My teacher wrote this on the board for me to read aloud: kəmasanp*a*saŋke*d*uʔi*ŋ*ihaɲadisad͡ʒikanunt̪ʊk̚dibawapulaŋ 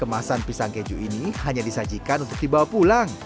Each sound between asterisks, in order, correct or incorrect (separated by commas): incorrect, incorrect, incorrect